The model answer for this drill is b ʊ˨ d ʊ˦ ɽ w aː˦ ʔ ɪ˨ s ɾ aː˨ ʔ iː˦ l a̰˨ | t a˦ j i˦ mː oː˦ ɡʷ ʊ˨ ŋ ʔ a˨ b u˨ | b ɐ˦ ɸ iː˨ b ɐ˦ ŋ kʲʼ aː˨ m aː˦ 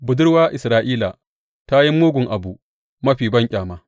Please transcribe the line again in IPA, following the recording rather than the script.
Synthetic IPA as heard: b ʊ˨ d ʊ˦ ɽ w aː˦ ʔ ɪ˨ s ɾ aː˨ ʔ iː˦ l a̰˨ | t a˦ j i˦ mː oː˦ ɡʷ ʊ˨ ŋ ʔ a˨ b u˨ | m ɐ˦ ɸ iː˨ b ɐ˦ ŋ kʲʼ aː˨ m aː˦